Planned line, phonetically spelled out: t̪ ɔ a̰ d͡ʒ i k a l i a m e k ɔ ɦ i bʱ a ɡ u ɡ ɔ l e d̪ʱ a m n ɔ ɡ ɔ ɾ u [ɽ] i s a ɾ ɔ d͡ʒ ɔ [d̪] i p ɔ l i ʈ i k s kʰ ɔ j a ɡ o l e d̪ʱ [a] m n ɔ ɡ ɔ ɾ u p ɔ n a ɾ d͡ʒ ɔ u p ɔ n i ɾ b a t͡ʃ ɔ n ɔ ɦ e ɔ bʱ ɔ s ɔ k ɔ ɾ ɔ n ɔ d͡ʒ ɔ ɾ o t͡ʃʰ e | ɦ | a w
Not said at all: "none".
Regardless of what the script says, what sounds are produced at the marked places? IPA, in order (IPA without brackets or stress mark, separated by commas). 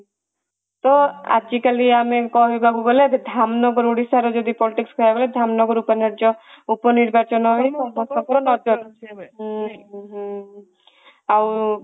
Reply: ɽ, d̪, a